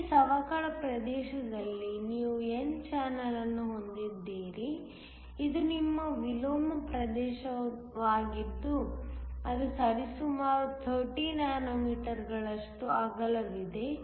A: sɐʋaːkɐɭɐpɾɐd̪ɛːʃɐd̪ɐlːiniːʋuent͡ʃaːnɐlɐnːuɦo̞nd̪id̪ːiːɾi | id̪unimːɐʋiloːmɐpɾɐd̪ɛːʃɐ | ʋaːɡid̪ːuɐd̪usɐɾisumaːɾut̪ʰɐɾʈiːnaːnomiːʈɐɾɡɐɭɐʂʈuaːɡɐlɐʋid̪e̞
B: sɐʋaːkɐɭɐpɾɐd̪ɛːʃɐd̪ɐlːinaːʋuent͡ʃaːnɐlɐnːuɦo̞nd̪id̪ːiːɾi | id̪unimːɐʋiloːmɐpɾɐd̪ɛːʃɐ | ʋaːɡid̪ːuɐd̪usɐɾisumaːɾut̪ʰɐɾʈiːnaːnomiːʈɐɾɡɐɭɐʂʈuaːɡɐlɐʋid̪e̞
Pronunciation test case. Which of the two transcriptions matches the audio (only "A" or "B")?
A